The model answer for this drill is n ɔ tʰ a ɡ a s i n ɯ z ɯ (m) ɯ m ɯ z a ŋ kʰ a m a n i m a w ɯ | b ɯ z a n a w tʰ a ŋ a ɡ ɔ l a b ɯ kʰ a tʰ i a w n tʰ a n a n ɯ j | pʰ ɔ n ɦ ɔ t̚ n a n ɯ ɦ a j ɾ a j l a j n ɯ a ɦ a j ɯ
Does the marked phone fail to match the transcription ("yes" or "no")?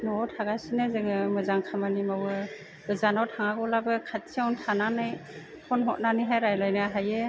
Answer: yes